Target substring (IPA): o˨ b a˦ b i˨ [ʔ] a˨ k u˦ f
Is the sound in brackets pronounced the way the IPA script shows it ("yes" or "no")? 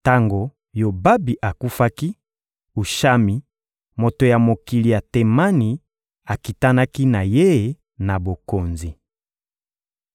yes